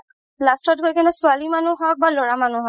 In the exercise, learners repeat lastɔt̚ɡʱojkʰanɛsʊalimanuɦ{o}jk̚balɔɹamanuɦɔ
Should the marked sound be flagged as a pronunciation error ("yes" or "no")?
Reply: yes